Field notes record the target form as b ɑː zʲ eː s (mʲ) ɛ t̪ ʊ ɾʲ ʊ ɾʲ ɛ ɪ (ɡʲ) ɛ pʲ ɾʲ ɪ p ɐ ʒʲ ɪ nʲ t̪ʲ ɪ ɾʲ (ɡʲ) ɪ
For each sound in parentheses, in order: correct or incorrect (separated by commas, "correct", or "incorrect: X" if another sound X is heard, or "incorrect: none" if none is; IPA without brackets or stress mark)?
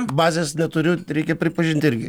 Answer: incorrect: nʲ, incorrect: kʲ, correct